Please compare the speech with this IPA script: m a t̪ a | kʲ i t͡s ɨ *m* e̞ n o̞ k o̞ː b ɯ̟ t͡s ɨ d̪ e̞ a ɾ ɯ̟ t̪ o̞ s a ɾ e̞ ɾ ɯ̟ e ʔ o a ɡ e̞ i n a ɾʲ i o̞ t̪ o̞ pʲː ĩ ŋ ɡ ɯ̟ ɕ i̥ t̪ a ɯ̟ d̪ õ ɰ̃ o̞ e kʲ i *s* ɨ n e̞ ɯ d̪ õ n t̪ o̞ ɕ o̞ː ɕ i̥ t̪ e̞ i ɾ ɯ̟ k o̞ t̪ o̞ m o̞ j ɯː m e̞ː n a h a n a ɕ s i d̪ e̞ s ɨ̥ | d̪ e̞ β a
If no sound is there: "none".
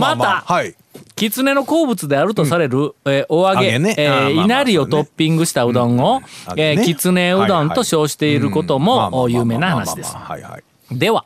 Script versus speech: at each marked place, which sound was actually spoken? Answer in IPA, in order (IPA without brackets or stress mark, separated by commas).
n, t͡s